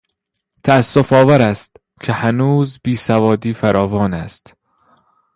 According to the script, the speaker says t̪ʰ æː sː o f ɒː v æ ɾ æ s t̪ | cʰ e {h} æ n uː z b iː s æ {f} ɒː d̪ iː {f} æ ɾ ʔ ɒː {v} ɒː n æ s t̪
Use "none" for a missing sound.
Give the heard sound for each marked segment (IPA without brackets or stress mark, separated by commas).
h, v, f, v